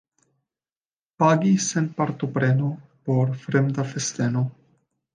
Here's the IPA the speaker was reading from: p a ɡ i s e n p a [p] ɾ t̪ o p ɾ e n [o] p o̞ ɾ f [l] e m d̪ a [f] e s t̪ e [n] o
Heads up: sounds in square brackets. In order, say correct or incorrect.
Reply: incorrect, correct, incorrect, correct, correct

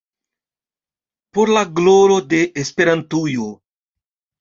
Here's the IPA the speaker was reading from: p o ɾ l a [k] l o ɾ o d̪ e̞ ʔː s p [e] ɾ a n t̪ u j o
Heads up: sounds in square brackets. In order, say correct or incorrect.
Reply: incorrect, correct

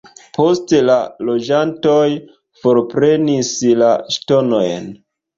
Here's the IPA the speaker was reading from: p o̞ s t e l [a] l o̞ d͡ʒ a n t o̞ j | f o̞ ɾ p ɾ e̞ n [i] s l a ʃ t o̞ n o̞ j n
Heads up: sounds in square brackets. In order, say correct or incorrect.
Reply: correct, correct

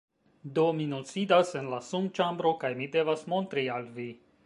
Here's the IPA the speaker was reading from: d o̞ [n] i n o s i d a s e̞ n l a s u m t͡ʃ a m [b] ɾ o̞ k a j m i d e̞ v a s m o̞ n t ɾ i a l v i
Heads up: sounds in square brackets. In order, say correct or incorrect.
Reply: incorrect, correct

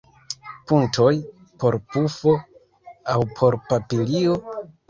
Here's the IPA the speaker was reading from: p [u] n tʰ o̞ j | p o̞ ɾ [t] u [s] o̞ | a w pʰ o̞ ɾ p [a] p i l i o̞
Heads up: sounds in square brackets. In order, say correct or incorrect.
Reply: correct, incorrect, incorrect, correct

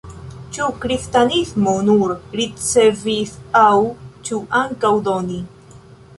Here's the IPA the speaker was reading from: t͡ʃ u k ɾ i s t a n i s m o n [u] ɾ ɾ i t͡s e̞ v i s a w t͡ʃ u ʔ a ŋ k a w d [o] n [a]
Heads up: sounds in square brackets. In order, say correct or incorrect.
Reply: correct, correct, incorrect

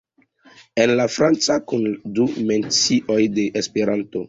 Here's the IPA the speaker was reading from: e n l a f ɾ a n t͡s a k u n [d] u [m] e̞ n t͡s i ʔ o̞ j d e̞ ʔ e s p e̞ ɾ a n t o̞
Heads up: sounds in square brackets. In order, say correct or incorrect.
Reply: correct, correct

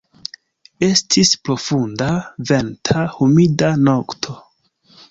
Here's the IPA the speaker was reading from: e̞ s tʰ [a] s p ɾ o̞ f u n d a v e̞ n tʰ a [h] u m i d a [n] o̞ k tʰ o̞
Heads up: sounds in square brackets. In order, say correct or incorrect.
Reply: incorrect, correct, correct

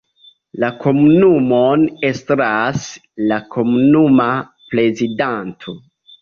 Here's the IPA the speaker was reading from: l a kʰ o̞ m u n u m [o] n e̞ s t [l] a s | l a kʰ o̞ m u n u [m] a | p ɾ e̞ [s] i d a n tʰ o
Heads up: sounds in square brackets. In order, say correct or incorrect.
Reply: correct, incorrect, correct, incorrect

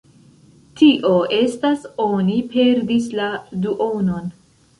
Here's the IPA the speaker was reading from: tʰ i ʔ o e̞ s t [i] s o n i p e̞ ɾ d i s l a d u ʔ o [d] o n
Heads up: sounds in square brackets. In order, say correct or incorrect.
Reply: incorrect, incorrect

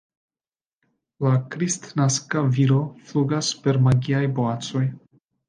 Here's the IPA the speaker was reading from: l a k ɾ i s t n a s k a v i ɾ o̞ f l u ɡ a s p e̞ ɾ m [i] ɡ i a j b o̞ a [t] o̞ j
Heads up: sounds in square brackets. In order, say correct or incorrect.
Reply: incorrect, incorrect

